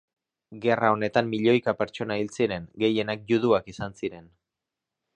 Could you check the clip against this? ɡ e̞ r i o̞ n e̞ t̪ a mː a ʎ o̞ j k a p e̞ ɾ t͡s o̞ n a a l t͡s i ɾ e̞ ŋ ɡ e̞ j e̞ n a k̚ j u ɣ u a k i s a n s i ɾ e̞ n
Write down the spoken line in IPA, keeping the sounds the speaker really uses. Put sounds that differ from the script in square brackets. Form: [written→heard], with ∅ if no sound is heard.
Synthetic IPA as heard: ɡ e̞ r [i→a] o̞ n e̞ t̪ a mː [a→i] ʎ o̞ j k a p e̞ ɾ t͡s o̞ n a [a→i] l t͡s i ɾ e̞ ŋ ɡ e̞ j e̞ n a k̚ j u [ɣ→ð] u a k i s a n s i ɾ e̞ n

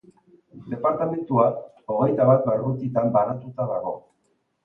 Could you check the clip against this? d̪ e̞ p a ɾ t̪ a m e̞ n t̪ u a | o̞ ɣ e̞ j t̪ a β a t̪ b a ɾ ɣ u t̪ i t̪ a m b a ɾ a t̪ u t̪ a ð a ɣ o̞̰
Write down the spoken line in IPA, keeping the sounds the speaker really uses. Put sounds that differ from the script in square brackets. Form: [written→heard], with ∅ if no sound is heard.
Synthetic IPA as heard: d̪ e̞ p a ɾ t̪ a m e̞ n t̪ u a | o̞ ɣ e̞ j t̪ a β a t̪ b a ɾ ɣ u t̪ i t̪ a m b a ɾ a t̪ u t̪ a ð a ɣ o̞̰

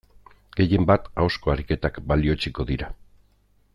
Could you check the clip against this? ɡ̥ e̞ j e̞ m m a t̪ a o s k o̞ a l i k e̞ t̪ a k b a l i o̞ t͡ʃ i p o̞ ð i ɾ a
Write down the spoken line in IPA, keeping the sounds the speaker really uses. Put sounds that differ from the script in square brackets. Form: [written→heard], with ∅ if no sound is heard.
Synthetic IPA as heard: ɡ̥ e̞ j e̞ m [m→b] a t̪ a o s k o̞ a [l→ɾ] i k e̞ t̪ a k b a l i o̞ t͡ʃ i [p→k] o̞ ð i ɾ a

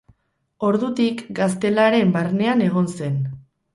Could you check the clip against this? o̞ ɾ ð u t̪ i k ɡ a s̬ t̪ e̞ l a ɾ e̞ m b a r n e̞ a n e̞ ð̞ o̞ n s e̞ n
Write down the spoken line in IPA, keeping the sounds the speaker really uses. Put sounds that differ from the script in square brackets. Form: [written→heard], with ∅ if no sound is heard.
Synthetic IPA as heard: o̞ ɾ ð u t̪ i k ɡ a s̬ t̪ e̞ l a ɾ e̞ m b a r n e̞ a n e̞ [ð̞→ɣ̞] o̞ n s e̞ n

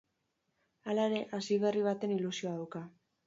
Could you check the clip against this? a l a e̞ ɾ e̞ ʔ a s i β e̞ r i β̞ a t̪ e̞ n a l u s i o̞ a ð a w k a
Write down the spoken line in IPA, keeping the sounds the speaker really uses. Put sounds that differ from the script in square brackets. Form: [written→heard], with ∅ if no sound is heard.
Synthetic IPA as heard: a l a e̞ ɾ e̞ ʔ a s i β e̞ r i β̞ a t̪ e̞ n [a→i] l u s i o̞ a ð a w k a

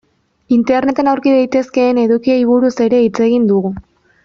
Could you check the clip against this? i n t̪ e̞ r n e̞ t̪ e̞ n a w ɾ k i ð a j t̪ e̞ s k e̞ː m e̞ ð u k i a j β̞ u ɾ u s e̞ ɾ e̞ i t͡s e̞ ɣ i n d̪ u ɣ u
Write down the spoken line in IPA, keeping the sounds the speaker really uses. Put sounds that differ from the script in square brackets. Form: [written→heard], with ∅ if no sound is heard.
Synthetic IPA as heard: i n t̪ e̞ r n e̞ t̪ e̞ n a w ɾ k i ð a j t̪ e̞ s k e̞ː [m→n] e̞ ð u k i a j β̞ u ɾ u s e̞ ɾ e̞ i t͡s e̞ ɣ i n d̪ u ɣ u

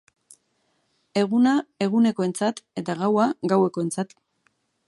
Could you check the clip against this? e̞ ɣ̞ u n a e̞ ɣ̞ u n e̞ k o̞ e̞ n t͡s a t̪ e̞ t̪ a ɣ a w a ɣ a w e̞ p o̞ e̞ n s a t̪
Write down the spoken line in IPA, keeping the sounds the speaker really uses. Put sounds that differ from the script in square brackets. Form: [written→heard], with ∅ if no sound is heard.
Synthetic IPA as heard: e̞ ɣ̞ u n a e̞ ɣ̞ u n e̞ k o̞ e̞ n t͡s a t̪ e̞ t̪ a ɣ a w a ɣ a w e̞ [p→k] o̞ e̞ n [s→t͡s] a t̪

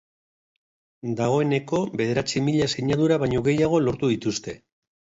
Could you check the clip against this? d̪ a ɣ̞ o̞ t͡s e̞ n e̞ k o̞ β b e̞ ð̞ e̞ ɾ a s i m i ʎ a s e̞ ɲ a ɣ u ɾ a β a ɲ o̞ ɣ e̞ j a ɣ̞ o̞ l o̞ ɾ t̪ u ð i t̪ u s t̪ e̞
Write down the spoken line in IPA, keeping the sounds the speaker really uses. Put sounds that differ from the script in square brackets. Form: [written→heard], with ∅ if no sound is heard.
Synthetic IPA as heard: d̪ a ɣ̞ o̞ [t͡s→∅] e̞ n e̞ k o̞ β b e̞ ð̞ e̞ ɾ a [s→t͡s] i m i ʎ a s e̞ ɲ a [ɣ→ð] u ɾ a β a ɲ o̞ ɣ e̞ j a ɣ̞ o̞ l o̞ ɾ t̪ u ð i t̪ u s t̪ e̞

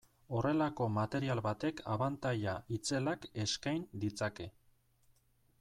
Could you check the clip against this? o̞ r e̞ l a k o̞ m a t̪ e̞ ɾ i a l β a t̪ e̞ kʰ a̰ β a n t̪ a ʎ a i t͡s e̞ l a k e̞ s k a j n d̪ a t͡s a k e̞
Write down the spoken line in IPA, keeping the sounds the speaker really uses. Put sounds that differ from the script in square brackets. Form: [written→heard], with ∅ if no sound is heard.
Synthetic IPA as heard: o̞ r e̞ l a k o̞ m a t̪ e̞ ɾ i a l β a t̪ e̞ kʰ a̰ β a n t̪ a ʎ a i t͡s e̞ l a k e̞ s k a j n d̪ [a→i] t͡s a k e̞

